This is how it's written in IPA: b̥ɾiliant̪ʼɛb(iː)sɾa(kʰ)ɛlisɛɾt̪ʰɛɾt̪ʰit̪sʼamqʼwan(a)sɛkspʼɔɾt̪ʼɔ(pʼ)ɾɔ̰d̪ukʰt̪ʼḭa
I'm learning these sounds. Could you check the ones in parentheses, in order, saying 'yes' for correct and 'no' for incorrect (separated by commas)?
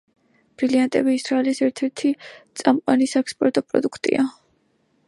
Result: yes, no, no, yes